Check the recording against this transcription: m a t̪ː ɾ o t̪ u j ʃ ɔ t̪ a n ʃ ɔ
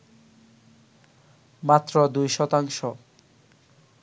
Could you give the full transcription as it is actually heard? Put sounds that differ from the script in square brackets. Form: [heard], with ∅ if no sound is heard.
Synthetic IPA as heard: m a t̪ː ɾ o [d̪] u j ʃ ɔ t̪ a [ŋ] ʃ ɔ